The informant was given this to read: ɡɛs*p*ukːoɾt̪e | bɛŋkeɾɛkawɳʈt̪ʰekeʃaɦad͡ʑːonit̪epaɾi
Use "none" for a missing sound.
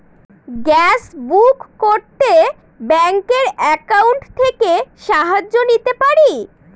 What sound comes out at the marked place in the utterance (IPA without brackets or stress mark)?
b